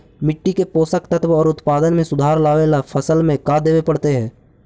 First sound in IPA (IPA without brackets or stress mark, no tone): m